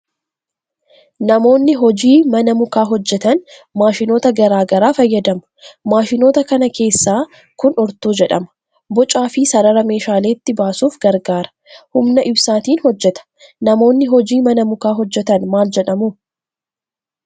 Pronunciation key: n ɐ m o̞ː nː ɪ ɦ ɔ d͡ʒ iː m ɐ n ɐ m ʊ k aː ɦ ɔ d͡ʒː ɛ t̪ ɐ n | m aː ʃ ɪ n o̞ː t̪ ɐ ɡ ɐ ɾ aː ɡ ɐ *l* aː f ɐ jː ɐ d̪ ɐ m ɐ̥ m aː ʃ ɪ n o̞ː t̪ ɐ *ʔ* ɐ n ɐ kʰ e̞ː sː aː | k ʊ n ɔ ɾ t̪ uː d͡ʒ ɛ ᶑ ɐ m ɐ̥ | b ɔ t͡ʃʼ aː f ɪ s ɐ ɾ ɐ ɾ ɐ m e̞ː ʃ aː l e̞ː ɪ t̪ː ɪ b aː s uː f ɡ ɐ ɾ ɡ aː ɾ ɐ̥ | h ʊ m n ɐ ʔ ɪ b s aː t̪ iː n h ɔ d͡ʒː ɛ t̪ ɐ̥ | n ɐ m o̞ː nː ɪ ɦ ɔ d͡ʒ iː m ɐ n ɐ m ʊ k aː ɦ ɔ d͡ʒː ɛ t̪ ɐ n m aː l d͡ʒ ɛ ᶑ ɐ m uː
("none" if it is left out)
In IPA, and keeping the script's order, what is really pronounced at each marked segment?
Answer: ɾ, k

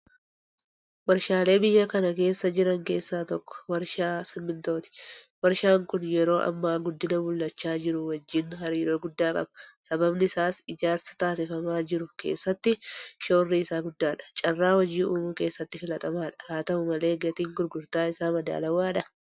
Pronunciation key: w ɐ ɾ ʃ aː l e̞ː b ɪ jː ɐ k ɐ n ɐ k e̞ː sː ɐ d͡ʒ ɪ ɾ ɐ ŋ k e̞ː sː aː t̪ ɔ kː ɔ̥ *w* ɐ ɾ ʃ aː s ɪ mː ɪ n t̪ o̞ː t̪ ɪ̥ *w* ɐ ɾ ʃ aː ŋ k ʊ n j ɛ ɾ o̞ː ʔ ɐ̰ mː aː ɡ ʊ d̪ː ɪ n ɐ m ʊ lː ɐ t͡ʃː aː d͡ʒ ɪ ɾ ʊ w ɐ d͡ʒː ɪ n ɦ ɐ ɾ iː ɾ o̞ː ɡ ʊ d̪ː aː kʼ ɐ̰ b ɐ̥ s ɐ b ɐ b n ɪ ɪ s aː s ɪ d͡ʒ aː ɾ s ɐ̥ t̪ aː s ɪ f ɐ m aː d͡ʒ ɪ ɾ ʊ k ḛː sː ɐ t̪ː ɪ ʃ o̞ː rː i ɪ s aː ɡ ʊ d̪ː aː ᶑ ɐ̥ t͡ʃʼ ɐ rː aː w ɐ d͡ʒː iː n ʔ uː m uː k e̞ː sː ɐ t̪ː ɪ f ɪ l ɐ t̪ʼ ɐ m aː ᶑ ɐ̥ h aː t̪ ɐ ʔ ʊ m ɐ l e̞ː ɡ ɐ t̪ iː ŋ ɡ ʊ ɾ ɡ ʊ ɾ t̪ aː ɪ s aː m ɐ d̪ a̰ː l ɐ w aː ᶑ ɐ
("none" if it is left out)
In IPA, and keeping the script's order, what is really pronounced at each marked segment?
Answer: w, w

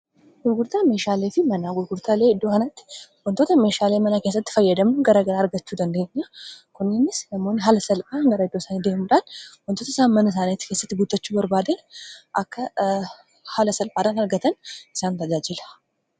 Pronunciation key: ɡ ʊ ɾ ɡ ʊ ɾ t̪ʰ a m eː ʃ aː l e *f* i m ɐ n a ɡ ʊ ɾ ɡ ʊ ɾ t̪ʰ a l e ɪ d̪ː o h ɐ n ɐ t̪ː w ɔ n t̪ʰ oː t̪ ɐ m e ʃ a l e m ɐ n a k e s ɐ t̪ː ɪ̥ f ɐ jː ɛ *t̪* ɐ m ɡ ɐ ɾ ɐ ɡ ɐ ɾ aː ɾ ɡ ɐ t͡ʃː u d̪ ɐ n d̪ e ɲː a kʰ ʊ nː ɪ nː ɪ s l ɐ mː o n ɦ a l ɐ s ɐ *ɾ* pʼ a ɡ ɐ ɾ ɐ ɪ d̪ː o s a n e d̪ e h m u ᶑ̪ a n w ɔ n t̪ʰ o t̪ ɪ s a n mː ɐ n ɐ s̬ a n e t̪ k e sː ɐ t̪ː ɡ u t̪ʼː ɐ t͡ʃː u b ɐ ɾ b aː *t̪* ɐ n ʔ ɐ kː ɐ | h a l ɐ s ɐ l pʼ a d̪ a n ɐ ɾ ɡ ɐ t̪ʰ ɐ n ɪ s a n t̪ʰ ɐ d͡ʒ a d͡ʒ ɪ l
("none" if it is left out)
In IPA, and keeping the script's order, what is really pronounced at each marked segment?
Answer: f, d̪, l, d̪

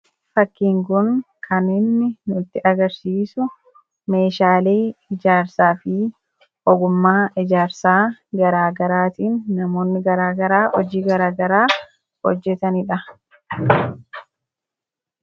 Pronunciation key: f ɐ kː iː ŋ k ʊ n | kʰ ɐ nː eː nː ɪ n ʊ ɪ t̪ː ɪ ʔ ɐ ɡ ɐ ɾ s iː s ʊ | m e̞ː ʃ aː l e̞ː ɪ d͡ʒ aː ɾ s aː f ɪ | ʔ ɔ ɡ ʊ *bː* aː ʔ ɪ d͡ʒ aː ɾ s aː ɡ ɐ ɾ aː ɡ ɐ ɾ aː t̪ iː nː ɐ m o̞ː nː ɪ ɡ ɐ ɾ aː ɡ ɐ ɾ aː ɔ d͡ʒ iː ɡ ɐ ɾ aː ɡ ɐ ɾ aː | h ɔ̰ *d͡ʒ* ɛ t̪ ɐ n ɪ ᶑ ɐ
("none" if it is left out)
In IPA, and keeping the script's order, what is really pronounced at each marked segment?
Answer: mː, d͡ʒː

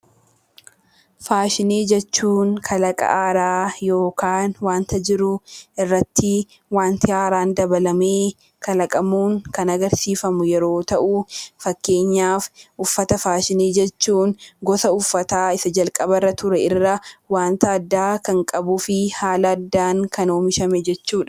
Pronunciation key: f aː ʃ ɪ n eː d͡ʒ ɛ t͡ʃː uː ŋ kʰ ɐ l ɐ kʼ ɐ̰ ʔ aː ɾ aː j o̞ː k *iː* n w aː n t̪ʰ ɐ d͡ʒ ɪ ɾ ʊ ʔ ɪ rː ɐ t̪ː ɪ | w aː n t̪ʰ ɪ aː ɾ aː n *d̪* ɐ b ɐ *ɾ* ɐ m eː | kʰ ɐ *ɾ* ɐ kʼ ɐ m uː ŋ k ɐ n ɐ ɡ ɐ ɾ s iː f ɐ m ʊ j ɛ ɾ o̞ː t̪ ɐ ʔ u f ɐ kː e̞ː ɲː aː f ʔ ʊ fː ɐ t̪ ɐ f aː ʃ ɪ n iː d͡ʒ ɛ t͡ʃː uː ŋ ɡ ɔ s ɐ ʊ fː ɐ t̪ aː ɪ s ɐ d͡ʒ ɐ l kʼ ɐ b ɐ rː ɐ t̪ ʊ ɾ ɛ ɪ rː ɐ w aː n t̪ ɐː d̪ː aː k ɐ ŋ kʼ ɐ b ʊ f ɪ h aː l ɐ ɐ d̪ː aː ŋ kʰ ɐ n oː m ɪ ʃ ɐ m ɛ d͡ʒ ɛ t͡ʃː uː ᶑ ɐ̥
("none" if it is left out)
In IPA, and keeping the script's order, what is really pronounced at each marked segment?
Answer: aː, d̪, l, l

